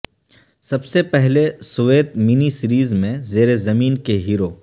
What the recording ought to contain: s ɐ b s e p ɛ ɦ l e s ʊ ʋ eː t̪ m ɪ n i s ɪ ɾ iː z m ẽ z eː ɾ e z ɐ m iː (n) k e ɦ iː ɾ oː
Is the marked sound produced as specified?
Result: yes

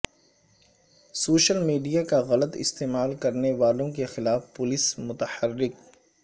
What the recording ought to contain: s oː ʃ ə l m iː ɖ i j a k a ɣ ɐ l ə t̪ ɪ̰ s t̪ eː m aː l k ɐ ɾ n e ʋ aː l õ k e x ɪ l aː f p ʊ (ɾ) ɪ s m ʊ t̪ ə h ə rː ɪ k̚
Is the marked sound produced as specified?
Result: no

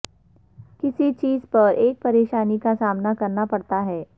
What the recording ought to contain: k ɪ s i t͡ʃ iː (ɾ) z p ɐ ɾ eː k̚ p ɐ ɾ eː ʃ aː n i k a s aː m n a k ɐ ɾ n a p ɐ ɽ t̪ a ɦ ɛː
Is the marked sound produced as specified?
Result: no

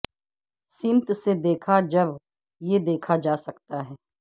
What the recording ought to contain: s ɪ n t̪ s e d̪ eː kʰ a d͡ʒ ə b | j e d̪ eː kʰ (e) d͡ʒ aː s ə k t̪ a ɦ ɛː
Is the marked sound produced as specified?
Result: no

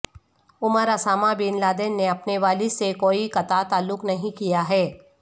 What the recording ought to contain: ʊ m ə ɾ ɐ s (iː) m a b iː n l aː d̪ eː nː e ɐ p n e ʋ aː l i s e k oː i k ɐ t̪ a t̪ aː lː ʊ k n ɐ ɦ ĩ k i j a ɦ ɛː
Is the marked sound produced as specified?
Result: no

